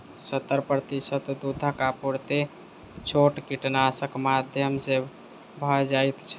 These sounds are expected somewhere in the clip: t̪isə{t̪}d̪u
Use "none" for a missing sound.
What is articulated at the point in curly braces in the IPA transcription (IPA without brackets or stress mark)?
t̪